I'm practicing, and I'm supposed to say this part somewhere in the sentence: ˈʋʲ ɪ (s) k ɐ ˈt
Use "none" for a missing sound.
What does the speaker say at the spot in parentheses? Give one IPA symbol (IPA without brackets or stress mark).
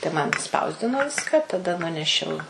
s